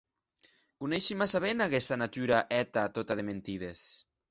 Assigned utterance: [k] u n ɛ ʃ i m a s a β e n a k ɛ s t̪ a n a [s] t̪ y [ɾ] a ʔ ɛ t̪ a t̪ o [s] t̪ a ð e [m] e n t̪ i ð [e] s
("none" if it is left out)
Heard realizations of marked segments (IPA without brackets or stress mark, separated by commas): k, none, ɾ, none, m, e